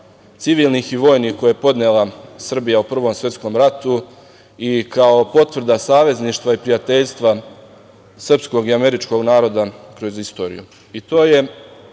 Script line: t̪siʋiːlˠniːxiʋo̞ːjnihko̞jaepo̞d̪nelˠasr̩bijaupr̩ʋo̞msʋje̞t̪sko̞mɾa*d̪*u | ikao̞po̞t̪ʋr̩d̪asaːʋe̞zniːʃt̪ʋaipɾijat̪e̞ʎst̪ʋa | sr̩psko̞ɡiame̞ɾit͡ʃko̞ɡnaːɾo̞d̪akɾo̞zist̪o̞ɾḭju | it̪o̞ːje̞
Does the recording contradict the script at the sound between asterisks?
yes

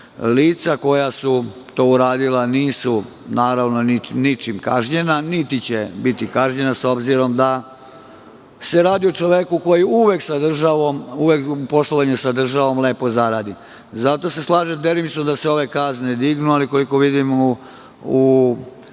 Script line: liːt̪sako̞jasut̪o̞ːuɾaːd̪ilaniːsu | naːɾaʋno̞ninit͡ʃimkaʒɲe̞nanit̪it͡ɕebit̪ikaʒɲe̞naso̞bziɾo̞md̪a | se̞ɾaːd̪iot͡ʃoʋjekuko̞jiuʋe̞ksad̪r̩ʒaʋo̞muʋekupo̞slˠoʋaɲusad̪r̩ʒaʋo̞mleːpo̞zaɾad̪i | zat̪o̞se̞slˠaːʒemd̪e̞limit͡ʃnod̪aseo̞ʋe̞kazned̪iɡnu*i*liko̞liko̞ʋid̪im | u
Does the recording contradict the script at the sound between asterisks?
yes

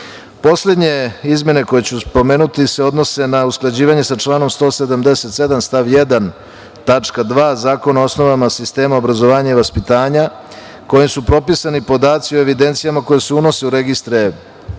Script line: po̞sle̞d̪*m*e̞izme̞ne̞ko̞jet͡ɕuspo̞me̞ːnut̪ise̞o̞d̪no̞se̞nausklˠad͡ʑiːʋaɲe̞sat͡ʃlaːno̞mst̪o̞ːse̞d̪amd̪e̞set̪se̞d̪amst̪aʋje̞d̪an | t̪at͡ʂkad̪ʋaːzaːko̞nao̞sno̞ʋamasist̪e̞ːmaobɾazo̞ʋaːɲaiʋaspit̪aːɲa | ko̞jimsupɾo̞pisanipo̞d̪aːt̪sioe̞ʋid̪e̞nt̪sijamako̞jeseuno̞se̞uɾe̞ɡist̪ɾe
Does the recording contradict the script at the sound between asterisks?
yes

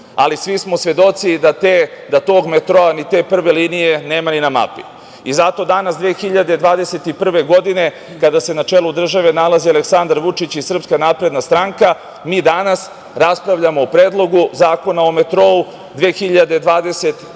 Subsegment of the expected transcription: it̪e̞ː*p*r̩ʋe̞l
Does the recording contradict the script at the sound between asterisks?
no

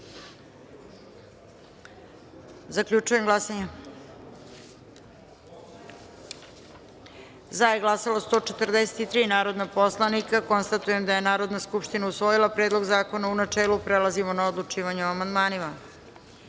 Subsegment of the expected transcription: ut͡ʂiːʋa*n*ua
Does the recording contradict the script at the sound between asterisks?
yes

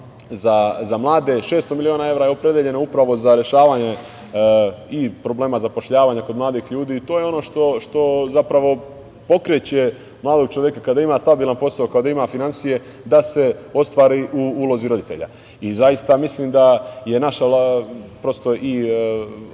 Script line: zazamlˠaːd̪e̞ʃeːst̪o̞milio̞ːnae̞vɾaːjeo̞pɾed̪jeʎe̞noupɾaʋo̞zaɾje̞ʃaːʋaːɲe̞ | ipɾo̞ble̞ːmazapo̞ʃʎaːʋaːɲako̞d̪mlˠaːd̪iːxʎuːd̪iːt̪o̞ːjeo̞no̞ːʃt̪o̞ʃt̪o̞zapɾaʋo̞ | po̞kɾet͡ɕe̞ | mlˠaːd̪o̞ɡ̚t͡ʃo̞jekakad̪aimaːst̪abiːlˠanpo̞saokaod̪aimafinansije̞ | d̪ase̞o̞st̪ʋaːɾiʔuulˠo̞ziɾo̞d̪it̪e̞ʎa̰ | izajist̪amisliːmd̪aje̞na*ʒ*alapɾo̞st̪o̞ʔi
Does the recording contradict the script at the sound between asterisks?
yes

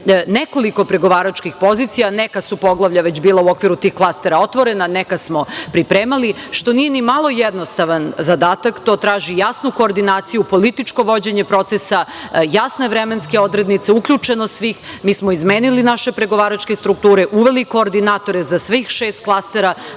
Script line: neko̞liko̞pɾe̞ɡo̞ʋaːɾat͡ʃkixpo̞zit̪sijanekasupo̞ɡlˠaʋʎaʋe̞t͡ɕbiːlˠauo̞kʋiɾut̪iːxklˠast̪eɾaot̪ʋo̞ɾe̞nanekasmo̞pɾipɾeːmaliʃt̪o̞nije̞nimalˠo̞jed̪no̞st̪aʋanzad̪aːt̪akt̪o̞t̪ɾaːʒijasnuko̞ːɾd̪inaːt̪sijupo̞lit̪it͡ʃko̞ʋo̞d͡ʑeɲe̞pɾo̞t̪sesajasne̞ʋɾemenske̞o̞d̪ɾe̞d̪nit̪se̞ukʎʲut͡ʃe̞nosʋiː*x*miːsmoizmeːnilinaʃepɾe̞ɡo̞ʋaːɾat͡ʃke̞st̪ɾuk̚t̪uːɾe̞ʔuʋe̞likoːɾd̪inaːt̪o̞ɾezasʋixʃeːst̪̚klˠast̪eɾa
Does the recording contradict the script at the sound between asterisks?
no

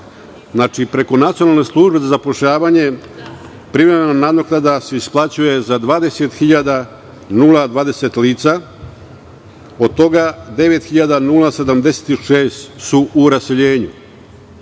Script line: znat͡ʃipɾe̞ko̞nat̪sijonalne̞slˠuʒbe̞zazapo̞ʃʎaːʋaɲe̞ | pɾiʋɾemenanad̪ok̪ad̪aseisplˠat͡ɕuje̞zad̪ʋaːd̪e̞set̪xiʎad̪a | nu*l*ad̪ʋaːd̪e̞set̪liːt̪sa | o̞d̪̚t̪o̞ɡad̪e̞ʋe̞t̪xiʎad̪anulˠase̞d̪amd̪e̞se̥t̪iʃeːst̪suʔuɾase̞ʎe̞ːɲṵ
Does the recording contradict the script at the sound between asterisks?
no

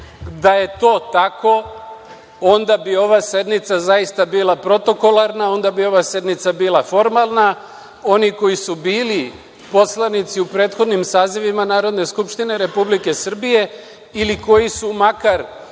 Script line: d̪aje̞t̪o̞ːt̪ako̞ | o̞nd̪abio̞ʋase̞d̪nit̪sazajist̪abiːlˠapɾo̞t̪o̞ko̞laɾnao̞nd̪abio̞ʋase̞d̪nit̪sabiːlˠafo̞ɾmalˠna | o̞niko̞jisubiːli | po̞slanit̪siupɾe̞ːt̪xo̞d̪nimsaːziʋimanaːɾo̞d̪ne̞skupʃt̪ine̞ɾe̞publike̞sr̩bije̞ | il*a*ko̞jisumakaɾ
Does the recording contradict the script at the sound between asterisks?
yes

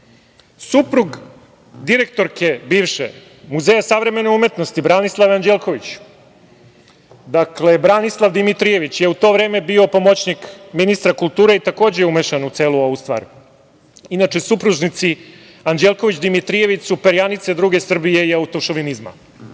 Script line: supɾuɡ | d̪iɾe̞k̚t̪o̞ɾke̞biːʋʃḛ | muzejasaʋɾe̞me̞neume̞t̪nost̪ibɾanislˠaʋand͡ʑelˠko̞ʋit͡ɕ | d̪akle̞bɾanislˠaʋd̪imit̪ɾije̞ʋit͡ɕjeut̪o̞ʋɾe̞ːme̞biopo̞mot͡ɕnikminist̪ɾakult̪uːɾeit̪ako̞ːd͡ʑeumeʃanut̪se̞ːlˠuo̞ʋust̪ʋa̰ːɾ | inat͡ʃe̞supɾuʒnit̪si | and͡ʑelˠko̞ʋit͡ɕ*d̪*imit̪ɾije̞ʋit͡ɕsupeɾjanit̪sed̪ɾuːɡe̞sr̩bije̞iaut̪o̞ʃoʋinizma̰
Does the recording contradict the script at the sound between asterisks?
no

